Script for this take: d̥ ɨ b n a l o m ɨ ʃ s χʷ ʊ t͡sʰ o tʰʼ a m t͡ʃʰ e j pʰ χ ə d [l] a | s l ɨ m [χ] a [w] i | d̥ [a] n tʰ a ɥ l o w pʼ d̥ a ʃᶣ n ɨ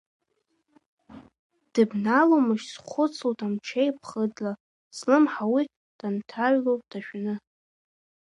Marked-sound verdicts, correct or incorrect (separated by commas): correct, incorrect, correct, correct